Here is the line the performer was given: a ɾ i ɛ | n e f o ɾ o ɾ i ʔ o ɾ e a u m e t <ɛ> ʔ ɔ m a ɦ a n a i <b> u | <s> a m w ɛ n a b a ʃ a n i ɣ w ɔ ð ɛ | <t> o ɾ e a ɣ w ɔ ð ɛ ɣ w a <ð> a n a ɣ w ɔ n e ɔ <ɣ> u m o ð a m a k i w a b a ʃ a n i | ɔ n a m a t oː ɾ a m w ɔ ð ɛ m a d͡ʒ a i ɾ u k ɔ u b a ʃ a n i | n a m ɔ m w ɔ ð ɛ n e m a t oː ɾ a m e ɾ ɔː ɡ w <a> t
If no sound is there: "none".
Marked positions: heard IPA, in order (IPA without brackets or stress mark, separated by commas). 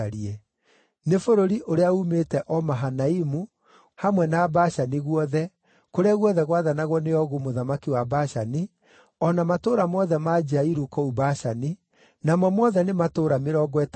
ɛ, m, h, k, ð, ɣ, ɛ